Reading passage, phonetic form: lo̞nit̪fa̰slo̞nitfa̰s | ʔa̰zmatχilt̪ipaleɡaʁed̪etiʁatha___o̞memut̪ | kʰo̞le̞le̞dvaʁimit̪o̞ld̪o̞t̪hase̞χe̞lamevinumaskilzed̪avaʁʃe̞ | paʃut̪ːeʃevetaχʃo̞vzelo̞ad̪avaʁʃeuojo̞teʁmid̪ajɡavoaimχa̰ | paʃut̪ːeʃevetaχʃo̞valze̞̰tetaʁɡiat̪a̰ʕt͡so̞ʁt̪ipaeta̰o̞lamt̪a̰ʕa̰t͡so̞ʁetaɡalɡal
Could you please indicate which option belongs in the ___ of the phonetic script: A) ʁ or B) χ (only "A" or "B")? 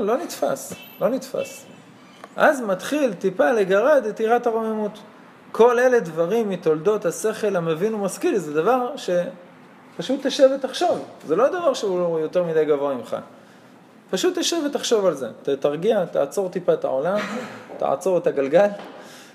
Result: A